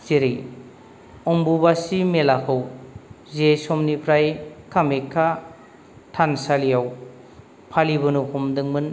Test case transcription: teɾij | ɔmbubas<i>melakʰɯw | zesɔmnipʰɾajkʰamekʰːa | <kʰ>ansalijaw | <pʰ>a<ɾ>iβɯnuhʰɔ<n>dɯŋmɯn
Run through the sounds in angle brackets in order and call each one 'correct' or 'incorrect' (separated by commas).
correct, incorrect, correct, incorrect, incorrect